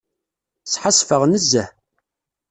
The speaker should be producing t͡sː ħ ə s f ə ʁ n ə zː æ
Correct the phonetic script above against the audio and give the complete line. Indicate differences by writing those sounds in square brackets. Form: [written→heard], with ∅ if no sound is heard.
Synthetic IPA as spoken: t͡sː ħ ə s f ə ʁ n ə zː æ